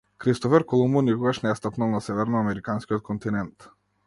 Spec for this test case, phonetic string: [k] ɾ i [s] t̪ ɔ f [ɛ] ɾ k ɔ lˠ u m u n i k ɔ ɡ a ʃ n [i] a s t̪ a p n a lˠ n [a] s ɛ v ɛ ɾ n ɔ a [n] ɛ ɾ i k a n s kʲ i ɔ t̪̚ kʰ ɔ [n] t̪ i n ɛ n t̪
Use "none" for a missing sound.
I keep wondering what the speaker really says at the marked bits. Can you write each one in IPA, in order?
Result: k, s, ɛ, ɛ, a, m, n

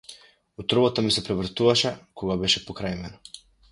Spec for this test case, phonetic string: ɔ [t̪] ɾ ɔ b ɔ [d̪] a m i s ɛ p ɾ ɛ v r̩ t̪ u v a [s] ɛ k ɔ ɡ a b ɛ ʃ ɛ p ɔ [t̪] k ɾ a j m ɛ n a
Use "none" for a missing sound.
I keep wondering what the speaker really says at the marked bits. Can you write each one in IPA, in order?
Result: t̪, t̪, ʃ, none

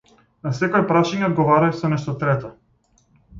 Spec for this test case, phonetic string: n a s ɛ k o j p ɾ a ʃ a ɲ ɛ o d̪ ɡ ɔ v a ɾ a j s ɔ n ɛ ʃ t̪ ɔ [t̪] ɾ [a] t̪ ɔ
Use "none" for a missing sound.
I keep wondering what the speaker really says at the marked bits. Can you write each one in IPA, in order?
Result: t̪, ɛ

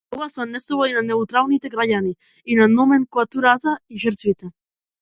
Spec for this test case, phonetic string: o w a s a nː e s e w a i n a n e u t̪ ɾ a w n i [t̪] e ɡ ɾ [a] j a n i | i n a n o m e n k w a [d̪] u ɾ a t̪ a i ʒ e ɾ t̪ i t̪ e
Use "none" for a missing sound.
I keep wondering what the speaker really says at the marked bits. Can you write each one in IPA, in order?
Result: t̪, a, t̪

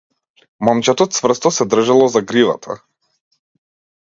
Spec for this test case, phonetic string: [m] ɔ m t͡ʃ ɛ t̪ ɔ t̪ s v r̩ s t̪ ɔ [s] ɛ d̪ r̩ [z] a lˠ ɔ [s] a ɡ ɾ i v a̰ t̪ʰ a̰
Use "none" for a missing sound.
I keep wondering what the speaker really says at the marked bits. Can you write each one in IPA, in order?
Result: m, s, ʒ, z

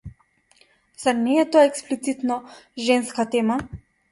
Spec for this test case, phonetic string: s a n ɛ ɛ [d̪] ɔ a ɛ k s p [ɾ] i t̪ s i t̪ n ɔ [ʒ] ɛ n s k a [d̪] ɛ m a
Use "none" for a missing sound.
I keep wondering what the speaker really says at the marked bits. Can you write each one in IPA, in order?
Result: t̪, l, ʒ, t̪

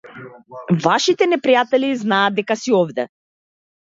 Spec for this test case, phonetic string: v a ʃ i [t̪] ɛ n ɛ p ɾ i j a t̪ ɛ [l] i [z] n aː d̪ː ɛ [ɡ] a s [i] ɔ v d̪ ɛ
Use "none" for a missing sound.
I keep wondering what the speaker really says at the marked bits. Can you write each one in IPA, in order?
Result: t̪, l, z, k, i

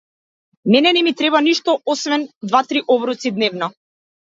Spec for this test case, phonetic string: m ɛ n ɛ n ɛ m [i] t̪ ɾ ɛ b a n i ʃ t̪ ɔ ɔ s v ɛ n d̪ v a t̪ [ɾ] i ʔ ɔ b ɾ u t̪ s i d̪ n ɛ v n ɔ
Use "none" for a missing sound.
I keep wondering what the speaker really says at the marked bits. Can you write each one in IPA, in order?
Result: i, ɾ

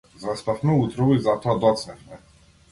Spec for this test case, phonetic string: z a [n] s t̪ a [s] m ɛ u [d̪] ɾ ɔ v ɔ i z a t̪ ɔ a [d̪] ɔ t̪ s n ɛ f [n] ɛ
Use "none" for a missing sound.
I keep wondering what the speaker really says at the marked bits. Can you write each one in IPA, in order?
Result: none, f, t̪, d̪, m

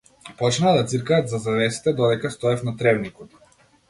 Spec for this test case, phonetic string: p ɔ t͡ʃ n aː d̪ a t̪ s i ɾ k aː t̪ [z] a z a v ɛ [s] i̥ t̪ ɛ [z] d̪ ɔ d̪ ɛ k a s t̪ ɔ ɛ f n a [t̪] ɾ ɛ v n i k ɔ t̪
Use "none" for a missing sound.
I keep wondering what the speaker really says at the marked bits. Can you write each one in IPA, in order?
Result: z, s, none, t̪

